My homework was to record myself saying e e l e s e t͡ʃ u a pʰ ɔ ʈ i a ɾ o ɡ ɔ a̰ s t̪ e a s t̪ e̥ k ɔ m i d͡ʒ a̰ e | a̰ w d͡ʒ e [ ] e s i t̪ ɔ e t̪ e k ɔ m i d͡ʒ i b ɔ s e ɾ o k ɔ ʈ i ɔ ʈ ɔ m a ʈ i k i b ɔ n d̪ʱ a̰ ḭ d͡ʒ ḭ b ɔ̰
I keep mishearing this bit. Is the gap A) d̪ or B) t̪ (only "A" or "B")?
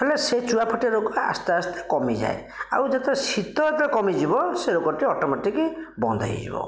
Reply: B